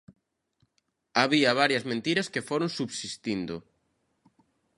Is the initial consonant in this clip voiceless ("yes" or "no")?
no